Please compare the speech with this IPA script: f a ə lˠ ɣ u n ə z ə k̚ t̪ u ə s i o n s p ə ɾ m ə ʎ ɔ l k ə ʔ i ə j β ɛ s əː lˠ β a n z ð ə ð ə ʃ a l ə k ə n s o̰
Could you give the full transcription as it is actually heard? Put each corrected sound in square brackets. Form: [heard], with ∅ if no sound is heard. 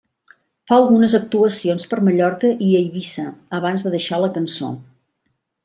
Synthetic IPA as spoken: f a ə lˠ ɣ u n ə z ə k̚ t̪ u ə s i o n s p ə ɾ m ə ʎ ɔ [ɾ] k ə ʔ i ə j β [i] s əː [∅] β a n z ð ə ð ə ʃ a l ə k ə n s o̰